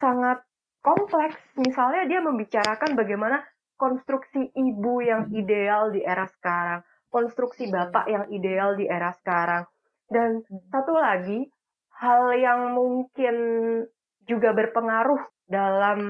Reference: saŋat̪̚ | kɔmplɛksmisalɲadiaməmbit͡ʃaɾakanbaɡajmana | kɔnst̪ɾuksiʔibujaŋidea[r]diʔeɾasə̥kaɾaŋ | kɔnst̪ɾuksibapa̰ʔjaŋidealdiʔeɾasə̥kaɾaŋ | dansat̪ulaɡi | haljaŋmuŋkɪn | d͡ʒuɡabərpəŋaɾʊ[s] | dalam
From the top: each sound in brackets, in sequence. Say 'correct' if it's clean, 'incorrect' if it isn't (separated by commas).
incorrect, incorrect